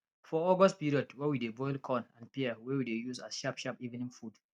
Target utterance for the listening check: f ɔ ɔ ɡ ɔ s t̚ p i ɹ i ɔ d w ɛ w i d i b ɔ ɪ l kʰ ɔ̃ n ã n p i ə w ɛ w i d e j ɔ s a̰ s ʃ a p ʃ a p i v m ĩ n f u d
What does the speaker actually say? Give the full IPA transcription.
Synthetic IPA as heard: f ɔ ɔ ɡ ɔ s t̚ p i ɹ i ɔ d w ɛ w i d e b ɔ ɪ l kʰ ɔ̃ n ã n p i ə w ɛ w i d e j u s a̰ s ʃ a p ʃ a p i v n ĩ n f u d